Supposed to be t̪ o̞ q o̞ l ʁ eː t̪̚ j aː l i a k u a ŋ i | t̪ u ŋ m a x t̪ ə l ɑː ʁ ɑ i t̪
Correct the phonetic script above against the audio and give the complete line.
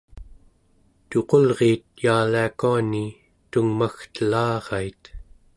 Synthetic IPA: t̪ o̞ q o̞ l ʁ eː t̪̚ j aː l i a k u a n i | t̪ u ŋ m a x t̪ ə l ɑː ʁ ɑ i t̪